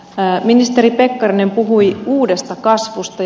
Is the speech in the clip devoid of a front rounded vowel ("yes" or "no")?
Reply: yes